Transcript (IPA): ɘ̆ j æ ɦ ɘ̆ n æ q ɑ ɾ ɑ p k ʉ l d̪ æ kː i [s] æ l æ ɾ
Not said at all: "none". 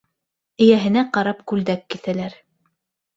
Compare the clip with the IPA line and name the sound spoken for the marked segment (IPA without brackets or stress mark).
θ